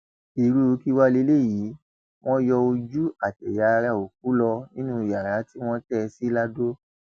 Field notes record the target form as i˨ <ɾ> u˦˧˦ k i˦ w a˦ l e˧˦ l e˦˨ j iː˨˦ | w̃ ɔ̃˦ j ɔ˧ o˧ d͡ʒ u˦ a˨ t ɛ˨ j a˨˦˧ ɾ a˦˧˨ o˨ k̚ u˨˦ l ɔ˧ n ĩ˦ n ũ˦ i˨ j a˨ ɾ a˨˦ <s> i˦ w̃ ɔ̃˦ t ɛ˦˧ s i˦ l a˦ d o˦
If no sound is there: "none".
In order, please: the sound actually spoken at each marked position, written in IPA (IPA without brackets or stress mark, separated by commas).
ɾ, t